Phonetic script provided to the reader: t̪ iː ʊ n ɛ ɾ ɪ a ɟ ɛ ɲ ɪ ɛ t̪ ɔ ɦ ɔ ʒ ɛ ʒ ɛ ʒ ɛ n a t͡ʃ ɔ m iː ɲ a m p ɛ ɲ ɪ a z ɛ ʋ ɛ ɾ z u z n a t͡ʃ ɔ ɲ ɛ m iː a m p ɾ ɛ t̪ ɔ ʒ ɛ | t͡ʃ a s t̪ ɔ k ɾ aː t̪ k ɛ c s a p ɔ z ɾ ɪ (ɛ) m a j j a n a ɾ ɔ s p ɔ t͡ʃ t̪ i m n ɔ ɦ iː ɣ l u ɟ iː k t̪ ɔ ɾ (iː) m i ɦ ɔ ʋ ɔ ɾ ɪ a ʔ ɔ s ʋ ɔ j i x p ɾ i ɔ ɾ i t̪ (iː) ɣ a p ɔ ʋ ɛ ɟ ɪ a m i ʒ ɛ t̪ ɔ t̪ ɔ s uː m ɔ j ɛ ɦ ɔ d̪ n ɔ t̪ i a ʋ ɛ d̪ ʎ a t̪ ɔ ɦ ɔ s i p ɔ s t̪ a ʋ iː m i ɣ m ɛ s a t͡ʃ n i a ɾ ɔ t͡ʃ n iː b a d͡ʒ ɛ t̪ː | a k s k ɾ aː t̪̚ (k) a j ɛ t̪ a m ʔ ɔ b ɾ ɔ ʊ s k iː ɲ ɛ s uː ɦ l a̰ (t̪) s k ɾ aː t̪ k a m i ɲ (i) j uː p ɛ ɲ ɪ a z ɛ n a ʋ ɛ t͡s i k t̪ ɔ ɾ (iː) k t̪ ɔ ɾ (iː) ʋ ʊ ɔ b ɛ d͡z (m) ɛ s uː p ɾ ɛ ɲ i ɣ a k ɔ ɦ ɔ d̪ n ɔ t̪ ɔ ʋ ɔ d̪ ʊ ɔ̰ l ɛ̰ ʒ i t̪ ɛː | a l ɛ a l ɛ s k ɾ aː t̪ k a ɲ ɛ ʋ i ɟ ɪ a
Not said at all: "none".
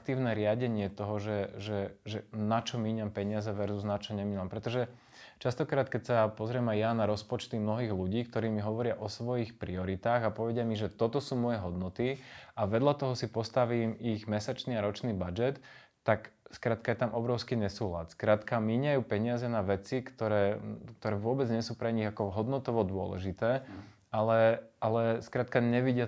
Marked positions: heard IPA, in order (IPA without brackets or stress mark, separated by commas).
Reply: ɛ, iː, aː, k, t̪, a, ɛː, ɛː, ɲ